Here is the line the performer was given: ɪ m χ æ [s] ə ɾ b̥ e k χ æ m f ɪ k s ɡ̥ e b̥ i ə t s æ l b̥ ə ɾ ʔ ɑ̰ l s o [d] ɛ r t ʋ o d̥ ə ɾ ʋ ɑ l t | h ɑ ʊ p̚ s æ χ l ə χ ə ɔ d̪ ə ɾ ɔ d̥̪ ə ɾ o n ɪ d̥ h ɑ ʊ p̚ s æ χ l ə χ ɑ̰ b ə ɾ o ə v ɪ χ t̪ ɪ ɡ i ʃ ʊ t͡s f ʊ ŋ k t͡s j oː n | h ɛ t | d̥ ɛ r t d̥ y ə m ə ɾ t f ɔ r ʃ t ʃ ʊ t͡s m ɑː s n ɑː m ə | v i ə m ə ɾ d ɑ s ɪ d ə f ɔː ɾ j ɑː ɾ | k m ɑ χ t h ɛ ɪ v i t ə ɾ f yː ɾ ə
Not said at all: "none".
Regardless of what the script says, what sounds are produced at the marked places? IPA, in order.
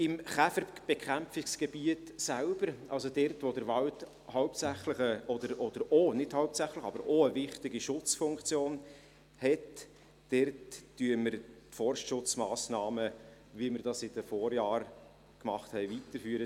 f, d

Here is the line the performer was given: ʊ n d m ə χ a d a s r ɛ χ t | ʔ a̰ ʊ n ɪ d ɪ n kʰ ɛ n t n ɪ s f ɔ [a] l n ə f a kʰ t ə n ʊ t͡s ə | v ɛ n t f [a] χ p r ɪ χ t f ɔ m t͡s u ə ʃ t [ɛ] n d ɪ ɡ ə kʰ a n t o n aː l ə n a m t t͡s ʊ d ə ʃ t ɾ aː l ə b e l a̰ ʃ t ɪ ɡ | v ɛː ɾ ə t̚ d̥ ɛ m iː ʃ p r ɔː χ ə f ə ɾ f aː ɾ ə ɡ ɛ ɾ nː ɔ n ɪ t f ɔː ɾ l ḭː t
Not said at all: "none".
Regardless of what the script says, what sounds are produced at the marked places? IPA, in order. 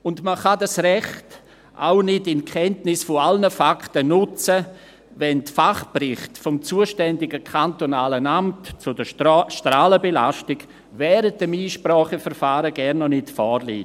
a, a, ɛ

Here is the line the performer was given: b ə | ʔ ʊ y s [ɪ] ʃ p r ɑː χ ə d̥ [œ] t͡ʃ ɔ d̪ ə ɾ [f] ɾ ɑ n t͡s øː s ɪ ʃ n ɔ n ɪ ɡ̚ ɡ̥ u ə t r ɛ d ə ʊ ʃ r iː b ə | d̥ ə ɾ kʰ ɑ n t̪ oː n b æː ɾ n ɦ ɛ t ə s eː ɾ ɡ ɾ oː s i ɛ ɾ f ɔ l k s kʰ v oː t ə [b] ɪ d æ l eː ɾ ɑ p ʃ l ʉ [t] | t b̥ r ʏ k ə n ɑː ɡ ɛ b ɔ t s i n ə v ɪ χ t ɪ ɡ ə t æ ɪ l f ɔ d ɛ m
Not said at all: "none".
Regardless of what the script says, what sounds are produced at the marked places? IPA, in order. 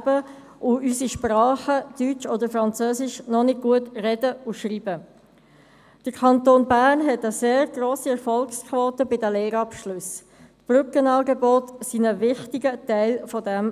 i, y, f, b, s

